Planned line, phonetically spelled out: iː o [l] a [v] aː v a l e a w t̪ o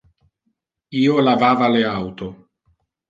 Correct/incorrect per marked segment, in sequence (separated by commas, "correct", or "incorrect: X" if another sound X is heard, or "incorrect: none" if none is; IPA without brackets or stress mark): correct, correct